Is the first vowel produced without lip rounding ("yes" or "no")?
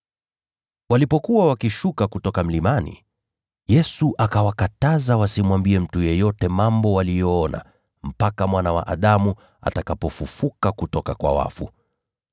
yes